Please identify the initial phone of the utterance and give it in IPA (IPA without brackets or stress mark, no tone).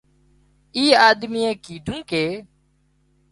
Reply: iː